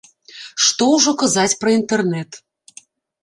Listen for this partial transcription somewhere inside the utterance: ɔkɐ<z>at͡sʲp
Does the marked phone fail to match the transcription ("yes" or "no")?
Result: no